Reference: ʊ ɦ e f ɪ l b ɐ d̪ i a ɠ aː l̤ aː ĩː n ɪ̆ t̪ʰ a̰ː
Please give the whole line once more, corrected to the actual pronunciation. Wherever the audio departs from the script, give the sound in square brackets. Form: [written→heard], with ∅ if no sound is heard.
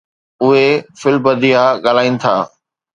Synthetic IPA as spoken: ʊ ɦ e f ɪ l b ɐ d̪ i a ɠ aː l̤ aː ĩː n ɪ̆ t̪ʰ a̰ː